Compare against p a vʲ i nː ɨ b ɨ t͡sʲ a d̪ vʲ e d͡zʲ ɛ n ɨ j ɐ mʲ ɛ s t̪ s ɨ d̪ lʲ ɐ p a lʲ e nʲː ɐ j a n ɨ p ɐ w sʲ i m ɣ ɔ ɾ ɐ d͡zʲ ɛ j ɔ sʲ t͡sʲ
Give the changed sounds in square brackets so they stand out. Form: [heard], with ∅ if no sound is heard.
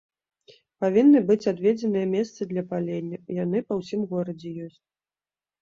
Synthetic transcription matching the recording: p a vʲ i nː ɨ b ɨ t͡sʲ a d̪ vʲ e d͡zʲ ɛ n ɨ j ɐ mʲ ɛ s t̪ s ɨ d̪ lʲ ɐ p a lʲ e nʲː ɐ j a n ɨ p ɐ w sʲ i m ɣ ɔ ɾ ɐ d͡zʲ ɛ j ɔ sʲ t͡sʲ